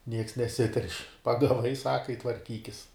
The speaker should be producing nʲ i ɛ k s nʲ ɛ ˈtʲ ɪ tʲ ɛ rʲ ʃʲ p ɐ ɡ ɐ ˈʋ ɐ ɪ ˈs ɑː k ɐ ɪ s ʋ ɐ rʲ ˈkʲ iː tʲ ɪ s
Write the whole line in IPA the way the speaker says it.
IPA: nʲ i ɛ k s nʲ ɛ ˈsʲ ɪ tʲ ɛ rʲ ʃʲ p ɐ ɡ ɐ ˈʋ ɐ ɪ ˈs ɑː k ɐ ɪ t ʋ ɐ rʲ ˈkʲ iː kʲ ɪ s

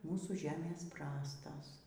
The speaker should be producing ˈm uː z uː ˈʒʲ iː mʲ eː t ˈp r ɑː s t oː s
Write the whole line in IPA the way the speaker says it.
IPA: ˈm uː s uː ˈʒʲ æː mʲ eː s ˈp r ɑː s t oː s

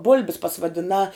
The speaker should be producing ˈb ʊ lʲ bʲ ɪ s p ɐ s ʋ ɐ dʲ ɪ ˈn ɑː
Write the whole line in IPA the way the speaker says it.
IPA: ˈb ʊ lʲ bʲ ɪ s p ɐ s ʋ ɐ dʲ ɪ ˈn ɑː

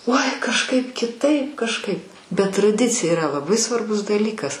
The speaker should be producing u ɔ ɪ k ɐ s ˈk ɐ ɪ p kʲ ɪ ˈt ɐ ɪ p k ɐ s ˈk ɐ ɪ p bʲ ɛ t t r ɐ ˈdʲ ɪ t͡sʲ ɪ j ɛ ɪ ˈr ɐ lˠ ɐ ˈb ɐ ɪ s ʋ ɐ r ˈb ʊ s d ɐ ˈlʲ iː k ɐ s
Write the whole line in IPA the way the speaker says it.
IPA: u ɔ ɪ k ɐ ʃ ˈk ɐ ɪ p kʲ ɪ ˈt ɐ ɪ p k ɐ ʃ ˈk ɐ ɪ p bʲ ɛ t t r ɐ ˈdʲ ɪ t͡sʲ ɪ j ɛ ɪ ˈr ɐ lˠ ɐ ˈb ɐ ɪ s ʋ ɐ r ˈb ʊ s d ɐ ˈlʲ iː k ɐ s

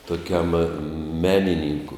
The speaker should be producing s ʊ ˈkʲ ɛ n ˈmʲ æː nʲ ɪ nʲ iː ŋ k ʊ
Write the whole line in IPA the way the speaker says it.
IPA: t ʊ ˈkʲ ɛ m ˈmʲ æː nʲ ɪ nʲ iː ŋ k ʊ

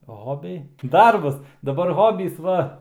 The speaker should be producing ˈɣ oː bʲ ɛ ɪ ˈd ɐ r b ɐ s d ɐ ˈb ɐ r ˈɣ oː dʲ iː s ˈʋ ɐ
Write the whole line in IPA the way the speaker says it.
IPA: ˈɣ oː bʲ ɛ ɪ ˈd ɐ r b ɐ s d ɐ ˈb ɐ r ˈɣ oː bʲ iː s ˈʋ ɐ

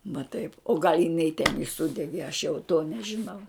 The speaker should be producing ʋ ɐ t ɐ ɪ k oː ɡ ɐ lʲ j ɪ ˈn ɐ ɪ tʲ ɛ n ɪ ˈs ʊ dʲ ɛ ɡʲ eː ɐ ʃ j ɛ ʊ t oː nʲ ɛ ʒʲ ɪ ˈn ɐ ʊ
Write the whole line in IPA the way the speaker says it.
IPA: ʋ ɐ t ɐ ɪ p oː ɡ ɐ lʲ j ɪ ˈn ɐ ɪ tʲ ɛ n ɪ ˈs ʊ dʲ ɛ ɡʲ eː ɐ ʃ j ɛ ʊ t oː nʲ ɛ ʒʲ ɪ ˈn ɐ ʊ

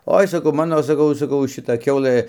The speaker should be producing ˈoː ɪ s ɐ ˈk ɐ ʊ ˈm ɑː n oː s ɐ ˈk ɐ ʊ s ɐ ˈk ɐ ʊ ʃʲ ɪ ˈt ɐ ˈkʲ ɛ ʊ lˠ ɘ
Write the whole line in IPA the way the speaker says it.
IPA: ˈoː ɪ s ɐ ˈk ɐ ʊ ˈm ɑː n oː s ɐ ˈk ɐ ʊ s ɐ ˈk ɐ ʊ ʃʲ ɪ ˈt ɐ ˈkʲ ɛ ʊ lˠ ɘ

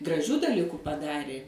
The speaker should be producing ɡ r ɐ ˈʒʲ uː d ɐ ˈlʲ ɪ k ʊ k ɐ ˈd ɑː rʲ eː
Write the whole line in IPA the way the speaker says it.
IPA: ɡ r ɐ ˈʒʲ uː d ɐ ˈlʲ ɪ k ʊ p ɐ ˈd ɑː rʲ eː

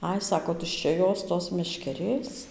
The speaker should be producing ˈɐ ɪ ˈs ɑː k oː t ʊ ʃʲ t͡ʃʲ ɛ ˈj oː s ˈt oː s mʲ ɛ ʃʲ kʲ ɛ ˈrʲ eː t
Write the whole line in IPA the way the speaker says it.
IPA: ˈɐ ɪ ˈs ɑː k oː t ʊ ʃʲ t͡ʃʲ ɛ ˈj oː s ˈt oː s mʲ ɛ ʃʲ kʲ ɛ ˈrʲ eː s

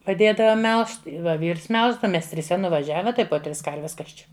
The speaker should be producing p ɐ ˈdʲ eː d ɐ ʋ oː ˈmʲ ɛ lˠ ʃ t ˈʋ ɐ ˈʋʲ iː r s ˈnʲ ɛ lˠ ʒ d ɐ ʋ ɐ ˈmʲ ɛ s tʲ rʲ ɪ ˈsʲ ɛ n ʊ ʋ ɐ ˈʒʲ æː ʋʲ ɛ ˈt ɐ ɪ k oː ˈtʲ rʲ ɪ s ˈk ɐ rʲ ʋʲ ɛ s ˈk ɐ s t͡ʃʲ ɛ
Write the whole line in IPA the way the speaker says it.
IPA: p ɐ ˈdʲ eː d ɐ ʋ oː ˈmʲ ɛ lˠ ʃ t ˈʋ ɐ ˈʋʲ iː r s ˈmʲ ɛ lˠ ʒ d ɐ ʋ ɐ ˈmʲ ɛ s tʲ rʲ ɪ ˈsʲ ɛ n ʊ ʋ ɐ ˈʒʲ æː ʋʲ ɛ ˈt ɐ ɪ p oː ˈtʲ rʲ ɪ s ˈk ɐ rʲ ʋʲ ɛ s ˈk ɐ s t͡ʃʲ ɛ

